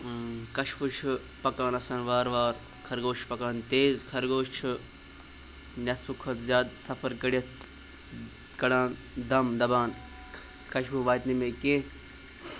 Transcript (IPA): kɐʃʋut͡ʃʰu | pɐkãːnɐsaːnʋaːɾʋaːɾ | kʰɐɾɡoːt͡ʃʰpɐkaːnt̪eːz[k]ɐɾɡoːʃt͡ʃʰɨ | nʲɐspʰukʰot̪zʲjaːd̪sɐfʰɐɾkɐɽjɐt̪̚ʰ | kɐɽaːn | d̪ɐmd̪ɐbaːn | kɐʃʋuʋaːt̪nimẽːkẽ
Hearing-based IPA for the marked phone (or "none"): kʰ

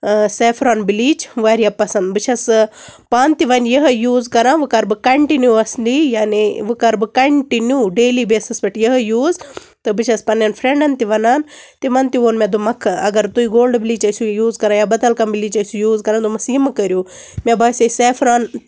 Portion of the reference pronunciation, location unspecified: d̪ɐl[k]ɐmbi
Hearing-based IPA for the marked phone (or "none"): k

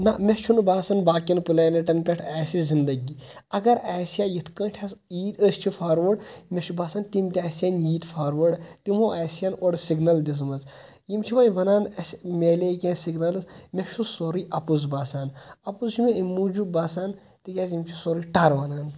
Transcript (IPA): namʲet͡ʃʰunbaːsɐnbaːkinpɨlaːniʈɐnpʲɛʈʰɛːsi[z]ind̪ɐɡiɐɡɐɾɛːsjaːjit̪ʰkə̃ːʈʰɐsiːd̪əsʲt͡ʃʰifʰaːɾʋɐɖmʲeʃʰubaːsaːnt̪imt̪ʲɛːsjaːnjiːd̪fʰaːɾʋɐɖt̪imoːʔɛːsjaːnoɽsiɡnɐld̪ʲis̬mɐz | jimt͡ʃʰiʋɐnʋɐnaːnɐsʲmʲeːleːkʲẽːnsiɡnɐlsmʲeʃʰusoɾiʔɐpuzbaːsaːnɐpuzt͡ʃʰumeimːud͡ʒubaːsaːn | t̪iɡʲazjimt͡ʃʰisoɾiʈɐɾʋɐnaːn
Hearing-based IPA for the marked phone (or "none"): z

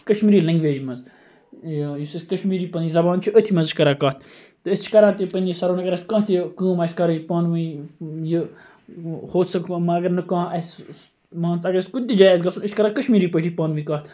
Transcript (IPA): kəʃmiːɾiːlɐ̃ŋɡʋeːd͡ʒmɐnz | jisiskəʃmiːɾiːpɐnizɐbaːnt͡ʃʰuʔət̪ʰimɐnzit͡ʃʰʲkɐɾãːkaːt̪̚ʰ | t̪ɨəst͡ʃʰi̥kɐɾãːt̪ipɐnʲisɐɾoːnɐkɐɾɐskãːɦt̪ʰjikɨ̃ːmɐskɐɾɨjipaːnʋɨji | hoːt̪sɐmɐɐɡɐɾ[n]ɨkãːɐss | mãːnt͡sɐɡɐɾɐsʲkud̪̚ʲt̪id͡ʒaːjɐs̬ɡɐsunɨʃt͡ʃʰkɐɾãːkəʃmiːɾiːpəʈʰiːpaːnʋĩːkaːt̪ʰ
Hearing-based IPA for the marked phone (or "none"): n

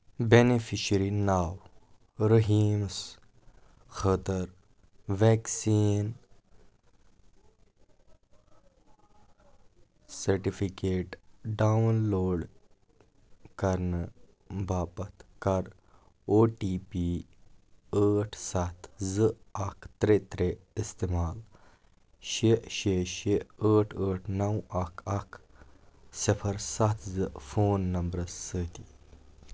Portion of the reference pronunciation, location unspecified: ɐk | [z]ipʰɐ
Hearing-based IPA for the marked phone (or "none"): s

